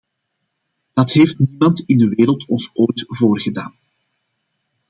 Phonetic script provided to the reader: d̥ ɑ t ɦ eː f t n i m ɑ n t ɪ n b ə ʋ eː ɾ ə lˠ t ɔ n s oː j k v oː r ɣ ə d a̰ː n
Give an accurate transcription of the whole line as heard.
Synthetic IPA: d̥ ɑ t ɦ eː f t n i m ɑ n t ɪ n d ə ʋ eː ɾ ə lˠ t ɔ n s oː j t v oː r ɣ ə d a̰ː n